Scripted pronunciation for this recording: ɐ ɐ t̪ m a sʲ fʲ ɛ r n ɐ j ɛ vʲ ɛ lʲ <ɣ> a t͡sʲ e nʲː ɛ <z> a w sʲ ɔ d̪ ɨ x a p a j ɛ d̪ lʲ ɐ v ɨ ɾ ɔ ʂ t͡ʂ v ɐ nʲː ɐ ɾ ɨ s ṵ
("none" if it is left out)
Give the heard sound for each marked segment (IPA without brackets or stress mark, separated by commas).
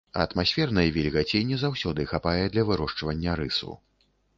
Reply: ɣ, z